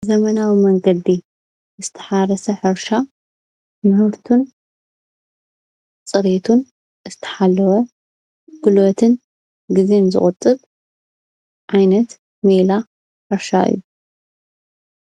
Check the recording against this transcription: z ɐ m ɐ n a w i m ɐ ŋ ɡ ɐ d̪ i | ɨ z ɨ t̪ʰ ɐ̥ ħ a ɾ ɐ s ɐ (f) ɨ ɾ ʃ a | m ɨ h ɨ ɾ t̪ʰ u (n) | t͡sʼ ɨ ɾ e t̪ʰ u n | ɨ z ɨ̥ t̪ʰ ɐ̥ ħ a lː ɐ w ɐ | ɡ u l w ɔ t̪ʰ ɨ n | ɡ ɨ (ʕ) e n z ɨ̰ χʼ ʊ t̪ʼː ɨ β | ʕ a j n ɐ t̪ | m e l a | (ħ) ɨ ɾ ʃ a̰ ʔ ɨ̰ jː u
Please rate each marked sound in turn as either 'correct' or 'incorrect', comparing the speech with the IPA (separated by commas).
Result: incorrect, correct, incorrect, correct